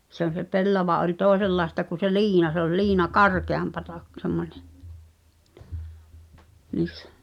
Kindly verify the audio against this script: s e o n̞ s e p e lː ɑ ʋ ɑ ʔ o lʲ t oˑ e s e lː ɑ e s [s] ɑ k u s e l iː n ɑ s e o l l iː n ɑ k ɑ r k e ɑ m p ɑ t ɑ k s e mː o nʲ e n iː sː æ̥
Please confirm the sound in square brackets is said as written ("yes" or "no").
no